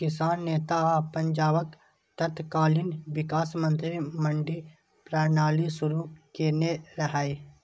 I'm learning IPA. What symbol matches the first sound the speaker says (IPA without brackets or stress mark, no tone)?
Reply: k